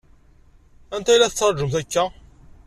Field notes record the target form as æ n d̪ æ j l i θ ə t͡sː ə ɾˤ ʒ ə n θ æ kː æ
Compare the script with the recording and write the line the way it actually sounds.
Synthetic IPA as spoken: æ n t̪ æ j l æ θ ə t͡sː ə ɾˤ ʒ ə m θ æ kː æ

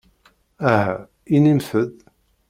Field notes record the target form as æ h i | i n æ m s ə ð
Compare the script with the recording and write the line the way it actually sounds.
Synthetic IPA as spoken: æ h æ | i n i m θ ə ð

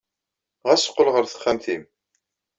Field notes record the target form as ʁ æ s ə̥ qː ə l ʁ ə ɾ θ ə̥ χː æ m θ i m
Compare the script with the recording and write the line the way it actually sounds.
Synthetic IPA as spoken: ʁ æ s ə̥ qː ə l ʁ ə ɾ θ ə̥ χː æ m θ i m

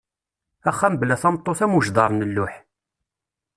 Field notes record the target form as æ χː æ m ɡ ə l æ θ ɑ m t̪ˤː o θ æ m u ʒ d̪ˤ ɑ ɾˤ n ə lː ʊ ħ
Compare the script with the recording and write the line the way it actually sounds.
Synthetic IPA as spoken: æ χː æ m b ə l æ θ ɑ m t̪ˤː o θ æ m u ʒ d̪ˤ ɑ ɾˤ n ə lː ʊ ħ

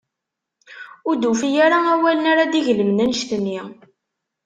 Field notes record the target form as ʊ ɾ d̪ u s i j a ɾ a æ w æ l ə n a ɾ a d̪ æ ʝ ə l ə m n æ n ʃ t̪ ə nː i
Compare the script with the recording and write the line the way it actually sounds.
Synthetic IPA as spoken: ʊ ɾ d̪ u f i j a ɾ a æ w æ l ə n a ɾ a d̪ i ʝ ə l ə m n æ n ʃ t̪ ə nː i

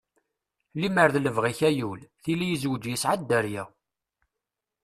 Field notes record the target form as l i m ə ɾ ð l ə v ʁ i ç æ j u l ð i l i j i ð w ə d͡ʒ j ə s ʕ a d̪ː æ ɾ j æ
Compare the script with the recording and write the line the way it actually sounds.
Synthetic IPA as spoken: l i m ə ɾ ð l ə v ʁ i ç æ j u l θ i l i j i z w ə d͡ʒ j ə s ʕ a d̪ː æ ɾ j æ

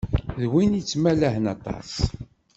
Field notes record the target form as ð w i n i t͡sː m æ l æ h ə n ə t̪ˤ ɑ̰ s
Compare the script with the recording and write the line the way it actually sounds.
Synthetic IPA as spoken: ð w i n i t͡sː m æ l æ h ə n ɑ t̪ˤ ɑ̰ s

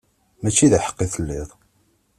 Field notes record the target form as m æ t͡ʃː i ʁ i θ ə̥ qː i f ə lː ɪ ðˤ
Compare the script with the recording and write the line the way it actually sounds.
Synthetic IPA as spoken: m æ t͡ʃː i ð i ħ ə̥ qː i θ ə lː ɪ ðˤ

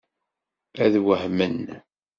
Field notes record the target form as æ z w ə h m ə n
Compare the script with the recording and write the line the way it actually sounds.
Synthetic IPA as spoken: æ ð w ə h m ə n

